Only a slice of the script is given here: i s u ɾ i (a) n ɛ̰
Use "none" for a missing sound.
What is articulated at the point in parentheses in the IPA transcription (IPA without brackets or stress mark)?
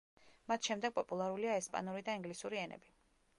ɛ